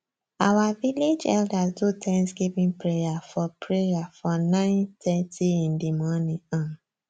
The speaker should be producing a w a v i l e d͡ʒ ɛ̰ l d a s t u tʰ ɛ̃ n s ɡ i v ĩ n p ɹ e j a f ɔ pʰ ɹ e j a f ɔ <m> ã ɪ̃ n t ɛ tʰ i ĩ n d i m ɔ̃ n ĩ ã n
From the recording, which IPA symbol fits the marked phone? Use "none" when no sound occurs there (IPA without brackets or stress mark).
n